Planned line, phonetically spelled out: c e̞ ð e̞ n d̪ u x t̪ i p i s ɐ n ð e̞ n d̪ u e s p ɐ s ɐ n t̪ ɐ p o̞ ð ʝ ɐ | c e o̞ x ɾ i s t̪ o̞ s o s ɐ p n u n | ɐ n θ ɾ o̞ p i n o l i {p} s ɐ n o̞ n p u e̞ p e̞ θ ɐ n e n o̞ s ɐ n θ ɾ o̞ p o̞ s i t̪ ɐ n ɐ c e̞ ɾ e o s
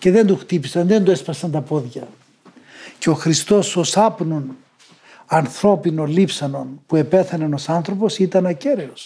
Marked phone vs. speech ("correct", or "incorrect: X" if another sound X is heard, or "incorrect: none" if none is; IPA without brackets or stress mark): correct